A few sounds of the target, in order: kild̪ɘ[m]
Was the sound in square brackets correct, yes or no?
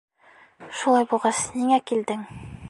no